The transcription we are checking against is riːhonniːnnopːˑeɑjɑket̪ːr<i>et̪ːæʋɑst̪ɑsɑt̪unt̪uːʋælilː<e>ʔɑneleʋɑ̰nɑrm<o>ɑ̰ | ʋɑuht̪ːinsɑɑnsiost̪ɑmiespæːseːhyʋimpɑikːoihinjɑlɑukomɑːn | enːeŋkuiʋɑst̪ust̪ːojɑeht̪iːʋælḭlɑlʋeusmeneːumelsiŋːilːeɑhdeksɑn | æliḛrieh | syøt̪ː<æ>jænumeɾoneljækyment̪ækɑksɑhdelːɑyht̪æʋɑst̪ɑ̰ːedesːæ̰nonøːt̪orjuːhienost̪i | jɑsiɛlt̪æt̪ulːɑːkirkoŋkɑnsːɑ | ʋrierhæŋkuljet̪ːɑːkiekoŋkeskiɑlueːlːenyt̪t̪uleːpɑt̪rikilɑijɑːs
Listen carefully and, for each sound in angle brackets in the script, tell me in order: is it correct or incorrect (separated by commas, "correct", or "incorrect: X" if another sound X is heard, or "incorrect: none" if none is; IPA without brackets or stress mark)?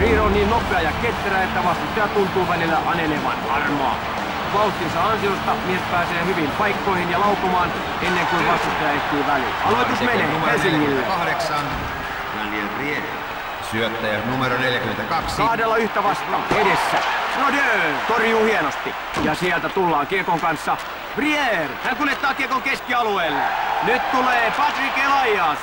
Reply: incorrect: æ, incorrect: æ, correct, correct